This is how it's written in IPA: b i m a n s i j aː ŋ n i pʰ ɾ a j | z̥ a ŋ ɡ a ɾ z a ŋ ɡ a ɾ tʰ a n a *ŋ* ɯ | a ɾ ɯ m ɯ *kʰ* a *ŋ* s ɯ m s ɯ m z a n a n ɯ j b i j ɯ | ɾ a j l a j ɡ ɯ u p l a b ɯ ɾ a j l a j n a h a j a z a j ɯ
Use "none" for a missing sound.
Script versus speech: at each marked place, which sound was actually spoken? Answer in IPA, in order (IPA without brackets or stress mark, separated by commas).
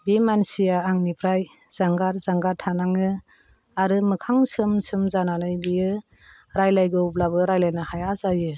ŋ, kʰ, ŋ